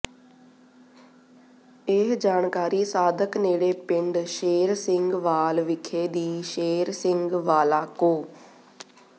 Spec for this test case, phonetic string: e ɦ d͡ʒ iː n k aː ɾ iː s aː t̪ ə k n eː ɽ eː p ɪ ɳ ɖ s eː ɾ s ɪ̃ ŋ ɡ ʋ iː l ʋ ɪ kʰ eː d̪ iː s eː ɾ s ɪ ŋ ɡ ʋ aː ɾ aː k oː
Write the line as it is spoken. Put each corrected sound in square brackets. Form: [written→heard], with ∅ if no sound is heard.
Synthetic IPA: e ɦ d͡ʒ [iː→aː] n k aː ɾ iː s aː [t̪→d̪] ə k n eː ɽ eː p ɪ ɳ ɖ [s→ʃ] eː ɾ s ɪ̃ ŋ ɡ ʋ [iː→aː] l ʋ ɪ kʰ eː d̪ iː [s→ʃ] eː ɾ s ɪ ŋ ɡ ʋ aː [ɾ→l] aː k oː